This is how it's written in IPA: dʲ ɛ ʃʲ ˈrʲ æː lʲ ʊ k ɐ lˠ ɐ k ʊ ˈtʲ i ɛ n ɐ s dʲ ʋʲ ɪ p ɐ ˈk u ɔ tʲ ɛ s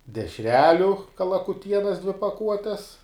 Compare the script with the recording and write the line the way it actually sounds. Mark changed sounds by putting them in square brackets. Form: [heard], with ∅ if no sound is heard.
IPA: dʲ ɛ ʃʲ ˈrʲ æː lʲ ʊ k ɐ lˠ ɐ k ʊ ˈtʲ i ɛ n ɐ s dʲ ʋʲ ɪ p ɐ ˈk u ɔ tʲ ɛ s